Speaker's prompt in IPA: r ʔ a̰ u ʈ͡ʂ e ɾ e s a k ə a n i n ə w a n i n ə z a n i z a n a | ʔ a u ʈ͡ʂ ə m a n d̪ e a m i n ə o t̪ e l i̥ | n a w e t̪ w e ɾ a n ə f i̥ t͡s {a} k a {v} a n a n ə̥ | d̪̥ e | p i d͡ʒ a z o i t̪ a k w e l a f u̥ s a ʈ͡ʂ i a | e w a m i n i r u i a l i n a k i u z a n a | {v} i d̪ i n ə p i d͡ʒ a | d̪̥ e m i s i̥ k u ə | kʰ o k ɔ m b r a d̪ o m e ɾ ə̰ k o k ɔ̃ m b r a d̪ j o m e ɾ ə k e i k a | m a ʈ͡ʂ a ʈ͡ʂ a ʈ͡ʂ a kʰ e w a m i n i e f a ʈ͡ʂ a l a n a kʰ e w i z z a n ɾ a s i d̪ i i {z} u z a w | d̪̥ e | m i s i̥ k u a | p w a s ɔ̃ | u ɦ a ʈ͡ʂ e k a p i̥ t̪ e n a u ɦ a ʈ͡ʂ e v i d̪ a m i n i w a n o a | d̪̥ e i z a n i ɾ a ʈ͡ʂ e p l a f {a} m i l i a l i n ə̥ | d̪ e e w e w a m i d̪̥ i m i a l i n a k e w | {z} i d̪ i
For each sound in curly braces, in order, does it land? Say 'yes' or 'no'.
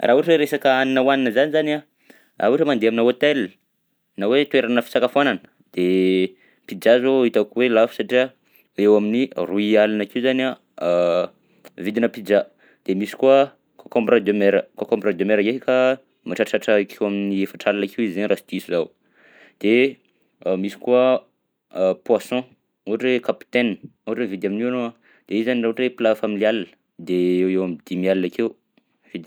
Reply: yes, no, yes, no, yes, no

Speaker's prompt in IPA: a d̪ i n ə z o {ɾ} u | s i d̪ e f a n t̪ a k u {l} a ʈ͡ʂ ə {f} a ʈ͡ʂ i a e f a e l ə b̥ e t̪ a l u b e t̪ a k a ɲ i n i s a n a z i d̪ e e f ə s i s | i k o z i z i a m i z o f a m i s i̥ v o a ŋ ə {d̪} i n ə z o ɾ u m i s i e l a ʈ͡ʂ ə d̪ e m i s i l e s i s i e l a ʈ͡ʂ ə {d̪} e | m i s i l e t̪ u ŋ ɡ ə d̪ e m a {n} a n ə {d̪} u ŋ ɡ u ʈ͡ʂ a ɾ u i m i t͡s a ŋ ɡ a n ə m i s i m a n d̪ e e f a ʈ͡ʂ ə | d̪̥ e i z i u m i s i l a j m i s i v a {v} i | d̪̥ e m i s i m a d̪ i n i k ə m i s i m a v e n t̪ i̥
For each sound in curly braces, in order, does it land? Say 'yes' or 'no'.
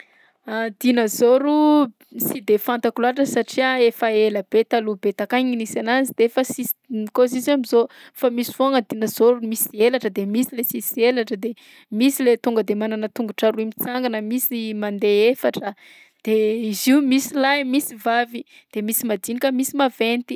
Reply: yes, yes, no, yes, yes, yes, no, yes

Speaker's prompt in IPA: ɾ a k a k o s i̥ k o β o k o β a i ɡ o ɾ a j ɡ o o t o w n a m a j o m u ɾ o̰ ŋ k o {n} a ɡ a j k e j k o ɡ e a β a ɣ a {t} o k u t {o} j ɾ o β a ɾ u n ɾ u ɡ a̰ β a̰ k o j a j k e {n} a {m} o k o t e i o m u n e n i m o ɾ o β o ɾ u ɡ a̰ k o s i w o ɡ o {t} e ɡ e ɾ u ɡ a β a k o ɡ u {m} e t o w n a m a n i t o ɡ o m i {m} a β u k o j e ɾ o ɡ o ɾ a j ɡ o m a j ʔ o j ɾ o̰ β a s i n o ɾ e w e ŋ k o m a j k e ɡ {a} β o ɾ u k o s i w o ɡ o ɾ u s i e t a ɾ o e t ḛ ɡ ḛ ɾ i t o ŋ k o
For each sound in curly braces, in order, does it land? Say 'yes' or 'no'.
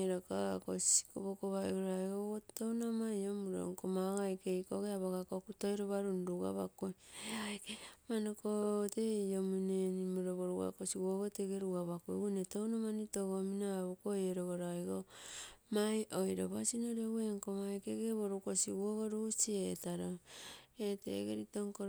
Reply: no, no, yes, no, no, yes, no, no, no

